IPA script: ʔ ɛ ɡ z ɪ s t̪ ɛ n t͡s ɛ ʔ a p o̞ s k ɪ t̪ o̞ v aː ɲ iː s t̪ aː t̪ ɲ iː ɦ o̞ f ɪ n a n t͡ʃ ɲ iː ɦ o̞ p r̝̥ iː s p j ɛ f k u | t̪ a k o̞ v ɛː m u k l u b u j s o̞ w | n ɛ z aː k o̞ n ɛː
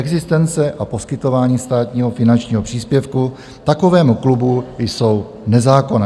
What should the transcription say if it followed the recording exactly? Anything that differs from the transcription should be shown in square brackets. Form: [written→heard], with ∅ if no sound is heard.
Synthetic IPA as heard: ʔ ɛ ɡ z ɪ s t̪ ɛ n t͡s ɛ ʔ a p o̞ s k ɪ t̪ o̞ v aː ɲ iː s t̪ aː t̪ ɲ iː ɦ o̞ f ɪ n a n t͡ʃ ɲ iː ɦ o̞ p r̝̥ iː s p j ɛ f k u | t̪ a k o̞ v ɛː m u k l u b u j s o̞ w | n ɛ z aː k o̞ n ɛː